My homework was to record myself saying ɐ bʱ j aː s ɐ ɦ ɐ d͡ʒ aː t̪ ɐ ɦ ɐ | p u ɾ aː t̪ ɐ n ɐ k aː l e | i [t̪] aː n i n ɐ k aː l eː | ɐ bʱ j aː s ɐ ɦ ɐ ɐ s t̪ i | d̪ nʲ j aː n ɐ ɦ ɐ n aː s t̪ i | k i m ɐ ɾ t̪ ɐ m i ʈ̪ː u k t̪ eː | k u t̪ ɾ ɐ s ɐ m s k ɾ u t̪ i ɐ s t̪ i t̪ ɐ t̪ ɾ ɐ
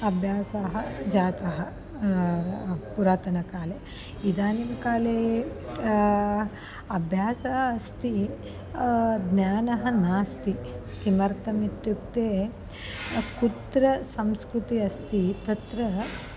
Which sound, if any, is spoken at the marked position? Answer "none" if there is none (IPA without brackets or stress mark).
d̪